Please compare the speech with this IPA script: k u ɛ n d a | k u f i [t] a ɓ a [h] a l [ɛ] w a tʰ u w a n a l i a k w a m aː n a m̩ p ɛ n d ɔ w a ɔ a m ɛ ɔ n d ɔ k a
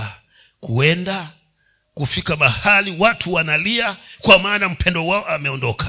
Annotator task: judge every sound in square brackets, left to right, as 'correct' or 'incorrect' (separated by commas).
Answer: incorrect, correct, incorrect